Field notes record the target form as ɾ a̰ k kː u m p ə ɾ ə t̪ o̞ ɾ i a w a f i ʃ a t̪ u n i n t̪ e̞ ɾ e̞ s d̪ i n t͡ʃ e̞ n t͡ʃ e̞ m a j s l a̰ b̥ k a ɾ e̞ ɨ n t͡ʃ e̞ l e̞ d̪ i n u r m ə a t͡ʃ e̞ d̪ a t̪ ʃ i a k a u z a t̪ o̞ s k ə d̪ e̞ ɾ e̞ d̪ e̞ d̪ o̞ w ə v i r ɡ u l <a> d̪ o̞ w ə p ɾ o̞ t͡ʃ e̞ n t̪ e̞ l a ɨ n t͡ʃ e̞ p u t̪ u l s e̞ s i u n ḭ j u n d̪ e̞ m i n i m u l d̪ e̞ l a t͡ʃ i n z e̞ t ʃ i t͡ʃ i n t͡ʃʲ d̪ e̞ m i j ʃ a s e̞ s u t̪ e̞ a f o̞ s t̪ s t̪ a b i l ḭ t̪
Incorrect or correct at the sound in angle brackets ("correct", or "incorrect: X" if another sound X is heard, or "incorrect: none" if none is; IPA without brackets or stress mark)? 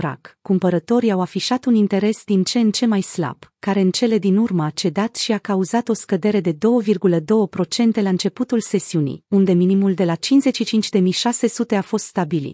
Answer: incorrect: ə